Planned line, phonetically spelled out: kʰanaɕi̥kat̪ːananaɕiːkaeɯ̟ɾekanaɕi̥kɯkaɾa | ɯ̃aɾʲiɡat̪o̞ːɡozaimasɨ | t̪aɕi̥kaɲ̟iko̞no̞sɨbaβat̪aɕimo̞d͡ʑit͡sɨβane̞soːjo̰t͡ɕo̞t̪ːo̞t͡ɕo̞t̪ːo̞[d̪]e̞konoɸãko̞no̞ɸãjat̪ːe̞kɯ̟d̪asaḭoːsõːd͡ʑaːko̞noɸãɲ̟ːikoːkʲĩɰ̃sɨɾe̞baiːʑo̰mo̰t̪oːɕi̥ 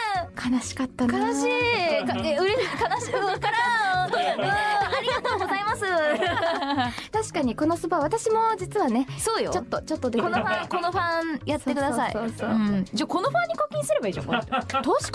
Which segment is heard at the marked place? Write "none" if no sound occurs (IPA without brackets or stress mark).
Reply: d̪